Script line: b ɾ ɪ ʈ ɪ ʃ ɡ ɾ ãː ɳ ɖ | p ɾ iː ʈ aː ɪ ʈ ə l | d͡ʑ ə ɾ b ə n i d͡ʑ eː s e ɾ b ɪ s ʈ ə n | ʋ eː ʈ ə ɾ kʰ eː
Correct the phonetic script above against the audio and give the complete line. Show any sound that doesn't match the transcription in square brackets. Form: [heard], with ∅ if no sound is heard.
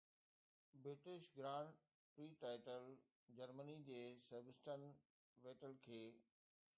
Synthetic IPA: b ɾ ɪ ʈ ɪ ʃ ɡ ɾ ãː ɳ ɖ | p ɾ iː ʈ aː ɪ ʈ ə l | d͡ʑ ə ɾ [m] ə n i d͡ʑ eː s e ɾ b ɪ s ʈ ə n | ʋ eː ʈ ə [l] kʰ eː

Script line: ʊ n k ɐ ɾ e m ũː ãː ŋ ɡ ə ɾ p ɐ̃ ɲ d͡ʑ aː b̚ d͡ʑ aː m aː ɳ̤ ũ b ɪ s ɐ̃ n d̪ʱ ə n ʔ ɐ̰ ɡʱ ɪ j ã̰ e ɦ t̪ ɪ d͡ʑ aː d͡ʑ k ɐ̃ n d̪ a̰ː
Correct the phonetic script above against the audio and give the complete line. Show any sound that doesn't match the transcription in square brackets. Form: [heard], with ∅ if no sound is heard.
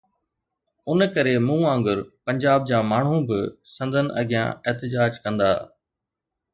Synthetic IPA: ʊ n k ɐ ɾ e m ũː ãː ŋ ɡ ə ɾ p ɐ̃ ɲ d͡ʑ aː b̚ d͡ʑ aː m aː ɳ̤ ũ b ɪ s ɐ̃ n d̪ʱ ə n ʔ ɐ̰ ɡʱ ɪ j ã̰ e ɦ t̪ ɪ d͡ʑ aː d͡ʑ k ɐ̃ n d̪ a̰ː

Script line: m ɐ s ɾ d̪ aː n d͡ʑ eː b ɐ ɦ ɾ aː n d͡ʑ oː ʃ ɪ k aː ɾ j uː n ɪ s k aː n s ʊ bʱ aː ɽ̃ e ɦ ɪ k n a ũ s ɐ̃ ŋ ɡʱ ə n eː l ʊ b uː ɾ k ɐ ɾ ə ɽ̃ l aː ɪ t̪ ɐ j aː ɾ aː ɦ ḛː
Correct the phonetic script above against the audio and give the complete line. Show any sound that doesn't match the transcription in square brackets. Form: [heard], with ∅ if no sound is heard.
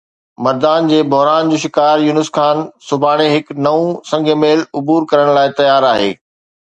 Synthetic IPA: m ɐ [∅] ɾ d̪ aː n d͡ʑ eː b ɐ ɦ ɾ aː n d͡ʑ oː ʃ ɪ k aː ɾ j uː n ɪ s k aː n s ʊ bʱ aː ɽ̃ e ɦ ɪ k n [ɐ] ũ s ɐ̃ ŋ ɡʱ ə [m] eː l ʊ b uː ɾ k ɐ ɾ ə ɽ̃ l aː ɪ t̪ ɐ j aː ɾ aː ɦ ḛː

